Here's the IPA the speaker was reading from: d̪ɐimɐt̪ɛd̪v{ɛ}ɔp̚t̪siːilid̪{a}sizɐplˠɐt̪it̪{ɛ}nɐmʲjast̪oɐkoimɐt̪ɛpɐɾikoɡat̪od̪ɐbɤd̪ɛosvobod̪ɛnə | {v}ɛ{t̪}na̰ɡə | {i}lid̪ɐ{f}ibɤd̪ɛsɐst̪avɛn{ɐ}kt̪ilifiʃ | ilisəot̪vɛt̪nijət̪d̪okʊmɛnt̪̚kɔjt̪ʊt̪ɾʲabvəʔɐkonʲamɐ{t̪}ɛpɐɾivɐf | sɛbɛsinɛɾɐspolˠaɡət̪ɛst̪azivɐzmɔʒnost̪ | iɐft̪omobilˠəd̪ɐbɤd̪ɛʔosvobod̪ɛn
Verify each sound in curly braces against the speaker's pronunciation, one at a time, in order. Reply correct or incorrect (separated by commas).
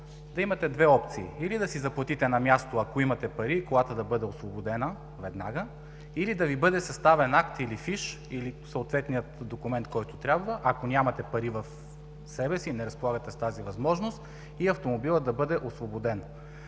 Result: correct, incorrect, correct, correct, incorrect, correct, incorrect, incorrect, correct